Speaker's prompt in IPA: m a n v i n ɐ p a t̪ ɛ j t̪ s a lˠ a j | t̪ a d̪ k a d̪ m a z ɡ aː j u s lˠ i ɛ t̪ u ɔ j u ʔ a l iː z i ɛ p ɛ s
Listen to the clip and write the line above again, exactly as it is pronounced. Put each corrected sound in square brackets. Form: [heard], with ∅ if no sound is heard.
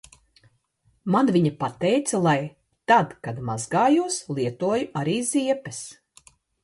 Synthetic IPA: m a n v i [ɲ] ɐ p a t̪ ɛ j t̪ s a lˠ a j | t̪ a d̪ k a d̪ m a z ɡ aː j u s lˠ i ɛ t̪ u ɔ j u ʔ a [ɾ] iː z i ɛ p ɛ s